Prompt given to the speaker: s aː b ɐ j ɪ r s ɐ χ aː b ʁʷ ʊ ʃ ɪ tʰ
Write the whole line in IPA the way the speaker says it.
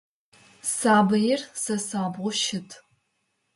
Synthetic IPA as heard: s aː b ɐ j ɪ r s ɐ s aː b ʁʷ ʊ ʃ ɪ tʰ